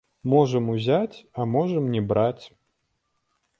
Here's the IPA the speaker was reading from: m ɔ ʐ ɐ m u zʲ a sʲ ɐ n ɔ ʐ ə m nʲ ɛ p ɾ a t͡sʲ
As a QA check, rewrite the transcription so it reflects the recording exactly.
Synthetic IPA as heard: m ɔ ʐ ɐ m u zʲ a t͡sʲ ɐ m ɔ ʐ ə m nʲ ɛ b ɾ a t͡sʲ